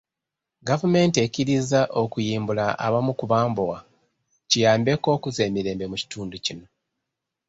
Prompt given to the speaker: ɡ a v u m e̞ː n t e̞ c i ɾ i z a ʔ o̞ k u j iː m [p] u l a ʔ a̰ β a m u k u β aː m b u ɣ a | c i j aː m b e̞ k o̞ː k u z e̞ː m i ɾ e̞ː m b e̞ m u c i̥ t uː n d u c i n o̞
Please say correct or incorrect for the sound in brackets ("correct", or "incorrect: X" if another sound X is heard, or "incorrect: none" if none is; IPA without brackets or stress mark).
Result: incorrect: b